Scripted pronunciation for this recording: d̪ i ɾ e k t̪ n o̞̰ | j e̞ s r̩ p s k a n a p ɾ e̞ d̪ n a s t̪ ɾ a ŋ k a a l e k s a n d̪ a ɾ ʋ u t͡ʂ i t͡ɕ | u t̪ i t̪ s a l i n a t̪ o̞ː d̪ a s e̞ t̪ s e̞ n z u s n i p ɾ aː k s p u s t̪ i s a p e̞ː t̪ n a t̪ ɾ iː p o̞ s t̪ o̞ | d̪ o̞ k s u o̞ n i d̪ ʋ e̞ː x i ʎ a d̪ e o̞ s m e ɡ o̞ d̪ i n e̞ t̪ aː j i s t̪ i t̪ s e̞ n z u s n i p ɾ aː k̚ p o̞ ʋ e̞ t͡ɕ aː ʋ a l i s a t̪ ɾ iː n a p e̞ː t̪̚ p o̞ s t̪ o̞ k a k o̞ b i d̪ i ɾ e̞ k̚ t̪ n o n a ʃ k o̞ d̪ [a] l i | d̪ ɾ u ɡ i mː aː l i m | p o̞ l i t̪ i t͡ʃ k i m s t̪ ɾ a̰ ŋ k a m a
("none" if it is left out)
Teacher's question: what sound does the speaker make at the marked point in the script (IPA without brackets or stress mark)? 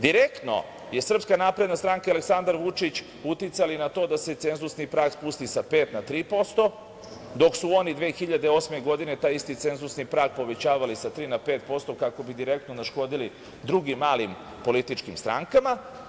i